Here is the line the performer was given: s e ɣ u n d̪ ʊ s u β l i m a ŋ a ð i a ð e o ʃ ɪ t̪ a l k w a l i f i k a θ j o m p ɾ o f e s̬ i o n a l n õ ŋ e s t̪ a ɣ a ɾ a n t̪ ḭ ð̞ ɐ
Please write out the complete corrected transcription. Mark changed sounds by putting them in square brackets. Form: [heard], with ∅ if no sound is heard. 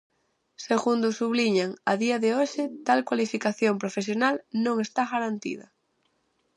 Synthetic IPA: s e ɣ u n d̪ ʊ s u β l i [ɲ] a ŋ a ð i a ð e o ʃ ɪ t̪ a l k w a l i f i k a θ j o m p ɾ o f e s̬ [j] o n a l n õ ŋ e s t̪ a ɣ a ɾ a n t̪ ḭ ð̞ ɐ